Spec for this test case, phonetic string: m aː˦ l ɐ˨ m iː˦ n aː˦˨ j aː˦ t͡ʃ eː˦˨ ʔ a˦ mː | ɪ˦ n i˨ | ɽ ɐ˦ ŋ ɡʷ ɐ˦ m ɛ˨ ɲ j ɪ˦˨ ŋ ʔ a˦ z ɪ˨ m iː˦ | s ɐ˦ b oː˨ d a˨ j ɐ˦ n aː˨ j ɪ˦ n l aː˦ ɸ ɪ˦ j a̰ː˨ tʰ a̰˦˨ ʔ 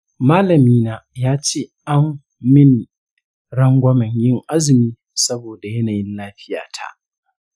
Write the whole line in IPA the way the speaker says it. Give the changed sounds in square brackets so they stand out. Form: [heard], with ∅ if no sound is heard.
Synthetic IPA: m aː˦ l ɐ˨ m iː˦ n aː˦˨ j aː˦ t͡ʃ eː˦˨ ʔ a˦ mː | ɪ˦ n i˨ | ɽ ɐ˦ ŋ ɡʷ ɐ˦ m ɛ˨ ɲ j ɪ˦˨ ŋ ʔ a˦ z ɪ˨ m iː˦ | s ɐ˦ b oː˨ d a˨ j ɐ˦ n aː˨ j ɪ˦ n l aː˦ ɸ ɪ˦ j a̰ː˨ tʰ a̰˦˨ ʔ

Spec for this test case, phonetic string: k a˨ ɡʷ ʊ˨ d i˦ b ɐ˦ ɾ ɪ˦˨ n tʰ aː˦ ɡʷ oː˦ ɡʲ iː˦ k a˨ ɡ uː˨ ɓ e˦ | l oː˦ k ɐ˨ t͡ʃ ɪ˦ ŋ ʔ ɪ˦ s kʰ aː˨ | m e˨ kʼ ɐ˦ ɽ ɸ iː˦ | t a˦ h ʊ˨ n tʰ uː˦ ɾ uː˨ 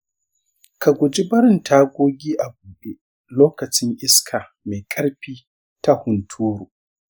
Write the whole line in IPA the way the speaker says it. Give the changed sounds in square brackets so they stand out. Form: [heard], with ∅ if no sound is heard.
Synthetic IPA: k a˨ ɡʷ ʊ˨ [d͡ʒ] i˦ b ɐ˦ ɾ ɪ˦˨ n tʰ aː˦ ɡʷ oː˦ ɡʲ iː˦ [ʔ] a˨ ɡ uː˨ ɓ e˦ | l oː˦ k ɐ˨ t͡ʃ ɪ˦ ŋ ʔ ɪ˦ s kʰ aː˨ | m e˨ kʼ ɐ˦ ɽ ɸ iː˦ | t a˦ h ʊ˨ n tʰ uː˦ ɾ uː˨

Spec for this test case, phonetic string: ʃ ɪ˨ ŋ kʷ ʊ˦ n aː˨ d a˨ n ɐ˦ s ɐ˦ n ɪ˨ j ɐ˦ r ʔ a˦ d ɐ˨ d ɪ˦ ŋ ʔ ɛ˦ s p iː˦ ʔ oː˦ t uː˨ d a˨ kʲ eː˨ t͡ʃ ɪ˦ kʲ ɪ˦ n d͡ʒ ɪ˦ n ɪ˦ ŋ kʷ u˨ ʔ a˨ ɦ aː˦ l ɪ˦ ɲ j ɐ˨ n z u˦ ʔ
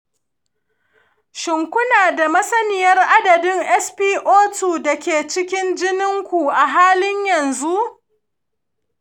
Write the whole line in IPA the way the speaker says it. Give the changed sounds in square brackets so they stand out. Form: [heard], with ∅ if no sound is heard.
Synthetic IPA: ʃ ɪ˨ ŋ kʷ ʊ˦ n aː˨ d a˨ [m] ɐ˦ s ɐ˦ n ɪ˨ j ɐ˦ r ʔ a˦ d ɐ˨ d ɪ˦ ŋ ʔ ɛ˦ s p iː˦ ʔ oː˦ t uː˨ d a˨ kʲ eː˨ t͡ʃ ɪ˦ kʲ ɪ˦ n d͡ʒ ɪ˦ n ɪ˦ ŋ kʷ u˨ ʔ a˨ ɦ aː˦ l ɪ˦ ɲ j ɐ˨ n z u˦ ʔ

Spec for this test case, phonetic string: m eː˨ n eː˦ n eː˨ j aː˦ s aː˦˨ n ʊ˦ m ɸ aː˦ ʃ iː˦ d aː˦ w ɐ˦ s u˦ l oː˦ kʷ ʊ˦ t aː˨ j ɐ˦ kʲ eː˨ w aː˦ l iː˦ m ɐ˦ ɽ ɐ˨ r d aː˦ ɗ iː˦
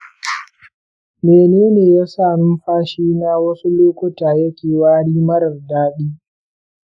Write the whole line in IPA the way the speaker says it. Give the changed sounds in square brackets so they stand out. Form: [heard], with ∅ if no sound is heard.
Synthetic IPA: m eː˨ n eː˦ n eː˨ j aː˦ s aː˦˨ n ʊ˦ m ɸ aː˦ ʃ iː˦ [n] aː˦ w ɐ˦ s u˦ l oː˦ kʷ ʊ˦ t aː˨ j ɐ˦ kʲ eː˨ w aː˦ [ɽ] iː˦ m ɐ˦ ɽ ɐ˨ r d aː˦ ɗ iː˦

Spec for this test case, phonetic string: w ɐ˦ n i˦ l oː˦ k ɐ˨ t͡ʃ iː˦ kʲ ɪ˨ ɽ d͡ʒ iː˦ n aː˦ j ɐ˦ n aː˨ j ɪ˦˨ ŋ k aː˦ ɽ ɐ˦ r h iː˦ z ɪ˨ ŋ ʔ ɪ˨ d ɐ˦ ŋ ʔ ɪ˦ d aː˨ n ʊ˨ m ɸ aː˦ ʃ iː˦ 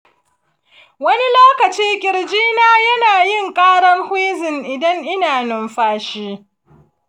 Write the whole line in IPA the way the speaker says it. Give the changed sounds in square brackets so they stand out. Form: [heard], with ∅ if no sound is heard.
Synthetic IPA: w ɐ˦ n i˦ l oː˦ k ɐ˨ t͡ʃ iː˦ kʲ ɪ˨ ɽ d͡ʒ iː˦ n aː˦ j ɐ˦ n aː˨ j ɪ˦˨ ŋ [kʼ] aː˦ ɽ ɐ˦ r h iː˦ z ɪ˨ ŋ ʔ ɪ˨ d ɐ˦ ŋ ʔ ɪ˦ [n] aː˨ n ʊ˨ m ɸ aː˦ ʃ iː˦

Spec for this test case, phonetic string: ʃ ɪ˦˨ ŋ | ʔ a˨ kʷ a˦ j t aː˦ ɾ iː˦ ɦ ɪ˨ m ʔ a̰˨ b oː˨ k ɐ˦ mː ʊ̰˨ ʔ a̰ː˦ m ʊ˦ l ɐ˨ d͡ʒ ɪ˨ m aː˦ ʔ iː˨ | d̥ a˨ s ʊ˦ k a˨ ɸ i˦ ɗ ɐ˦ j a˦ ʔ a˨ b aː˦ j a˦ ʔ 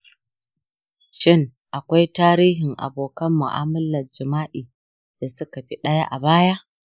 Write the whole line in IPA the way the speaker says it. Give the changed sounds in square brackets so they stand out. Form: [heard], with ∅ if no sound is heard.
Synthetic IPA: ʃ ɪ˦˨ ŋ | ʔ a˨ kʷ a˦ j t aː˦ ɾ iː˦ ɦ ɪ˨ [ŋ] ʔ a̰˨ b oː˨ k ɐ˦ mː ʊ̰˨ ʔ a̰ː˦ m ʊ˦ l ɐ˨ d͡ʒ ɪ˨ m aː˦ ʔ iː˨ | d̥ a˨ s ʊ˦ k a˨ ɸ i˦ ɗ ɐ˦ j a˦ ʔ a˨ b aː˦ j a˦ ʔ

